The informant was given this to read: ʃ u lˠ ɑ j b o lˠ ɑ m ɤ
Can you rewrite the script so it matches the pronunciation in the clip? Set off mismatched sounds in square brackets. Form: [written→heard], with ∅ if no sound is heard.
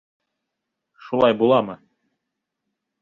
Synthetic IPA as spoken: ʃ u lˠ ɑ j b [o→u] lˠ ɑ m ɤ